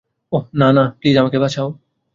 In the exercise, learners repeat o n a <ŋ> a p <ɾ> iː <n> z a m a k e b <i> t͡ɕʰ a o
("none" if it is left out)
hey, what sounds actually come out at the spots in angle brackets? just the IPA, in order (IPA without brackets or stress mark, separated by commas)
n, l, none, a